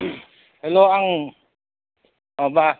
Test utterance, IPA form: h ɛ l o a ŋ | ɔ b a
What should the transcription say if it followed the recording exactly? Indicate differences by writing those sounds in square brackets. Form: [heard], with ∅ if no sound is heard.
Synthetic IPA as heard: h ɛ l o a ŋ | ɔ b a